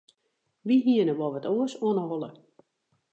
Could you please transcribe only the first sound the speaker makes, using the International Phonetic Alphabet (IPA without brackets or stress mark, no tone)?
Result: ʋ